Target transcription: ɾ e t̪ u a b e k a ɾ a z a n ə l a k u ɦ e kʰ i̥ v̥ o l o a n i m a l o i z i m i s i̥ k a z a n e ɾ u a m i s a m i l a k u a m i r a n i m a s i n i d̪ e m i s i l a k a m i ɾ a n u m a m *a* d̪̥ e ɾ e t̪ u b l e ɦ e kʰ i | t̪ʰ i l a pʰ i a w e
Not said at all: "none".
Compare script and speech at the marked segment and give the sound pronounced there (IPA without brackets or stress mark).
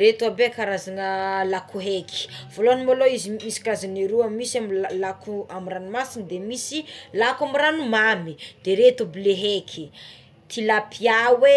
i